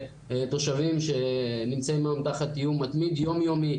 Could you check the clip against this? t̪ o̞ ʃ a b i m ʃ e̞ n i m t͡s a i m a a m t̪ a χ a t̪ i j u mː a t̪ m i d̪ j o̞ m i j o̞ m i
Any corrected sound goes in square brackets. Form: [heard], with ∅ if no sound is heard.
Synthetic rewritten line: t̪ o̞ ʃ a [v] i m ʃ e̞ n i m t͡s a i m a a m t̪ a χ a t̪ i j u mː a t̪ m i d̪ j o̞ m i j o̞ m i